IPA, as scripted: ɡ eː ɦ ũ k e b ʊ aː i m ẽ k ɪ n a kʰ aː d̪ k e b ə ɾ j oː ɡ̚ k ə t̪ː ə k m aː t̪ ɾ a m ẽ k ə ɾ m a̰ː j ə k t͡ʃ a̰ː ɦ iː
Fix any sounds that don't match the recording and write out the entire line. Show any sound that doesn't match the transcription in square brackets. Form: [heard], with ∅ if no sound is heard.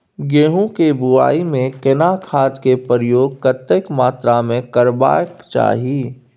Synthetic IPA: ɡ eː ɦ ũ k e b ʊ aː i m ẽ k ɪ n a kʰ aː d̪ k e [p] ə ɾ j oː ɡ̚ k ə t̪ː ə k m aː t̪ ɾ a m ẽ k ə ɾ [b] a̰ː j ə k t͡ʃ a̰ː ɦ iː